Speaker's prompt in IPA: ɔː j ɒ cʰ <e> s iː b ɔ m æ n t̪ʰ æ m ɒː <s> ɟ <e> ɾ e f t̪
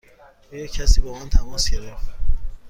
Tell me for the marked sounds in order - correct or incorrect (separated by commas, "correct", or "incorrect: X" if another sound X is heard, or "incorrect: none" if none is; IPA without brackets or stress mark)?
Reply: incorrect: æ, correct, correct